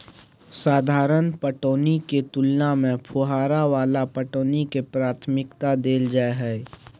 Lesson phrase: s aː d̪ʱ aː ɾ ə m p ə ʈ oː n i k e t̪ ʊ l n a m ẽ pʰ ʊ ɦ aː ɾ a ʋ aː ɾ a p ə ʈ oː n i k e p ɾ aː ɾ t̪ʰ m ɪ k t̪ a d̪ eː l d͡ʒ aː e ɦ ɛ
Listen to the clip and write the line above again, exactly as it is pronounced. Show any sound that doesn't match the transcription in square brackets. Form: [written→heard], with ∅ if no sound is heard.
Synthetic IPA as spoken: s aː d̪ʱ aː ɾ ə [m→n] p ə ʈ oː n i k e t̪ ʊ l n a m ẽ pʰ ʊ ɦ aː ɾ a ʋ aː [ɾ→l] a p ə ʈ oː n i k e p ɾ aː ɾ t̪ʰ m ɪ k t̪ a d̪ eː l d͡ʒ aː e ɦ ɛ